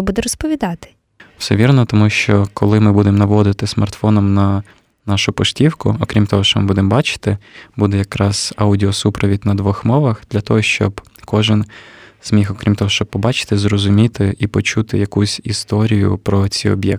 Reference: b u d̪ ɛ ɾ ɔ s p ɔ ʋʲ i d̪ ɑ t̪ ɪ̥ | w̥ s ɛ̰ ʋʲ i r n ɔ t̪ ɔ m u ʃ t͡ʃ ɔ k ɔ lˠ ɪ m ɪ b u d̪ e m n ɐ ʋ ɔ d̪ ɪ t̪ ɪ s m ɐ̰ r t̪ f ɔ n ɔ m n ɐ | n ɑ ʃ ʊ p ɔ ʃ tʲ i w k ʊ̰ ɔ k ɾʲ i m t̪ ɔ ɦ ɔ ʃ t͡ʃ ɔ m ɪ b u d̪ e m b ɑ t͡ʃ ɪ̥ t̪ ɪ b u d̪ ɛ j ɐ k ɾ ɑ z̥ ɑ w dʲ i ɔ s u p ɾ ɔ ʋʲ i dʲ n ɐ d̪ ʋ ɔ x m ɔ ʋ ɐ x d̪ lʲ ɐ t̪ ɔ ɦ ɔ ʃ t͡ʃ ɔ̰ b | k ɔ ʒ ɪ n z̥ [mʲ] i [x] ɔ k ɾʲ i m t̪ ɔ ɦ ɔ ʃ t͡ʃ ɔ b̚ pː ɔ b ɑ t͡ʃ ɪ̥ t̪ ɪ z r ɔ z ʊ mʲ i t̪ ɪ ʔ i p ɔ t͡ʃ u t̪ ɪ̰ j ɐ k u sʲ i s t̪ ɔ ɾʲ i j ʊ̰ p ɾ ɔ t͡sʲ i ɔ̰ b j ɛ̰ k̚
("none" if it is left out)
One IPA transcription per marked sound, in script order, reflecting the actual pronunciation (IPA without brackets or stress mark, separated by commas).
mʲ, x